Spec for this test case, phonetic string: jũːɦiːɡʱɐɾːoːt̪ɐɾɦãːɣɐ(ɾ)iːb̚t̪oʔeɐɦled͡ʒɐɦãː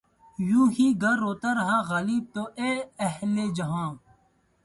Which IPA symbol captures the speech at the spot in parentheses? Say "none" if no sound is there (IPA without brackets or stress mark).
l